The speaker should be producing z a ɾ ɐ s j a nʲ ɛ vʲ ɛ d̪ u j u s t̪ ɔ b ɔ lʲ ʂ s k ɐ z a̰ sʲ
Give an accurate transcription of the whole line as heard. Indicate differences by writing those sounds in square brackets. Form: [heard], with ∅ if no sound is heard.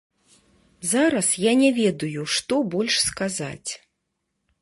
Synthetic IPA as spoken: z a ɾ ɐ s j a nʲ ɛ vʲ ɛ d̪ u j u [ʂ] t̪ ɔ b ɔ lʲ ʂ s k [a] z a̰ [t͡sʲ]